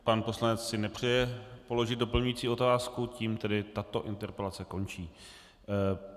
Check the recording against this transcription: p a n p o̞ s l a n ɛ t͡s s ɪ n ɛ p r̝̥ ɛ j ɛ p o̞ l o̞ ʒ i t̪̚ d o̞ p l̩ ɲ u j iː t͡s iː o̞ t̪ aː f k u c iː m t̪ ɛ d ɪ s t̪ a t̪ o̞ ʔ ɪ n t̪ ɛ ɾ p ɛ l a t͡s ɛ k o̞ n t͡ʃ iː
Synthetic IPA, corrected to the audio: p a n p o̞ s l a n ɛ t͡s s ɪ n ɛ p r̝̥ ɛ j ɛ p o̞ l o̞ ʒ ɪ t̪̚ d o̞ p l̩ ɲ u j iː t͡s iː o̞ t̪ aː s k u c iː m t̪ ɛ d ɪ t̪ a t̪ o̞ ʔ ɪ n t̪ ɛ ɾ p ɛ l a t͡s ɛ k o̞ n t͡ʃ iː